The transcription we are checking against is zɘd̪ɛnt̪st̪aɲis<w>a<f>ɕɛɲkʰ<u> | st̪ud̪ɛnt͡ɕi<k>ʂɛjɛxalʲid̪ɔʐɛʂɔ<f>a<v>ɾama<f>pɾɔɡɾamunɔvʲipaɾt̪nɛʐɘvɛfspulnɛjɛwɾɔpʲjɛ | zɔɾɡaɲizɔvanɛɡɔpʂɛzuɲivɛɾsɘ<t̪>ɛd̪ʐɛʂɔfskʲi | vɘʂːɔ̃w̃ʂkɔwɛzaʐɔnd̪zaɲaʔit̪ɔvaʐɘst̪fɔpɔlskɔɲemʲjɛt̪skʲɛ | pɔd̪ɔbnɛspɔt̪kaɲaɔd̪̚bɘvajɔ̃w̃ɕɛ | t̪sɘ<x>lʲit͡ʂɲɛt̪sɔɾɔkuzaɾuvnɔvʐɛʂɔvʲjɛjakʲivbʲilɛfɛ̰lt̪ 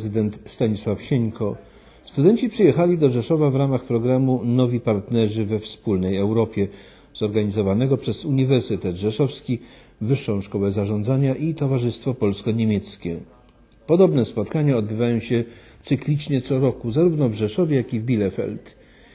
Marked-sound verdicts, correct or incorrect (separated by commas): correct, correct, incorrect, incorrect, incorrect, correct, incorrect, correct, incorrect